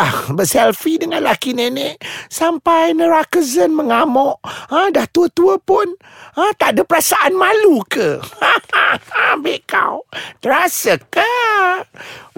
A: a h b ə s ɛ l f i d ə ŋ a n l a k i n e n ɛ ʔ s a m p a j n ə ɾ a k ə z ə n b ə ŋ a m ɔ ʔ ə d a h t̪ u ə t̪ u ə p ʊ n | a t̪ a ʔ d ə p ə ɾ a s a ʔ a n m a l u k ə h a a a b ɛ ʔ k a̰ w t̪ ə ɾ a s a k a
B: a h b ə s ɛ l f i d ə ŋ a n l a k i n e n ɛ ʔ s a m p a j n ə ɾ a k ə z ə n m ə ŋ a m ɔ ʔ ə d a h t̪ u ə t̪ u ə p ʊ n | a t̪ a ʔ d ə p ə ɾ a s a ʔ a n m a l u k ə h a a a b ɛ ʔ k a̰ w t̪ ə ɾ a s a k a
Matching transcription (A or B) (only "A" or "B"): B